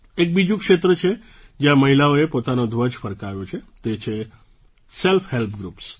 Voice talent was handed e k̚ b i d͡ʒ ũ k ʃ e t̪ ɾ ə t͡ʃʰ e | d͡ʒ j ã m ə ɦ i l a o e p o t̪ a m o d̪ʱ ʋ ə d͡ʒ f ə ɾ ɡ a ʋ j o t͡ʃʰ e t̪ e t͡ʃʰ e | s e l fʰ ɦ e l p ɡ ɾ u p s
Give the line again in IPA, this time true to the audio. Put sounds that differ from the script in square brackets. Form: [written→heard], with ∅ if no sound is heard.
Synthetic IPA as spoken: e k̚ b i d͡ʒ ũ k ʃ e t̪ ɾ ə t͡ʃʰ e | d͡ʒ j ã m ə ɦ i l a o e p o t̪ a [m→n] o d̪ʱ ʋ ə d͡ʒ f ə ɾ [ɡ→k] a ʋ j o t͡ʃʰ e t̪ e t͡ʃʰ e | s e l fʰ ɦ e l p ɡ ɾ u p s